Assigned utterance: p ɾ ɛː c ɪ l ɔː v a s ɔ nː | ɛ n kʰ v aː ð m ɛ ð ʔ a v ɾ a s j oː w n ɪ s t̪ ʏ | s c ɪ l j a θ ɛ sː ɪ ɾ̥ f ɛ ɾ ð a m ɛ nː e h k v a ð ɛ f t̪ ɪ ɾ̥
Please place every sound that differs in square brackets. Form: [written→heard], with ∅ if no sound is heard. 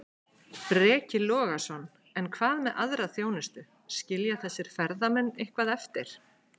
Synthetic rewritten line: p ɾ ɛː c ɪ l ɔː [v→ɣ] a s ɔ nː | ɛ n kʰ v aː ð m ɛ ð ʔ a [v→ð] ɾ a [s→θ] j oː w n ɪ s t̪ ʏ | s c ɪ l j a θ ɛ sː ɪ ɾ̥ f ɛ ɾ ð a m ɛ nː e h k v a ð ɛ f t̪ ɪ ɾ̥